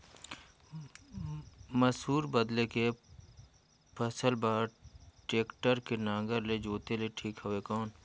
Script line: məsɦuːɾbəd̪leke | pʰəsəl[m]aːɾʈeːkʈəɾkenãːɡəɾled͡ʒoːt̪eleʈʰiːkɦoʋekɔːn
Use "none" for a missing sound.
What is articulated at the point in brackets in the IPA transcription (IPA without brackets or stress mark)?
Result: b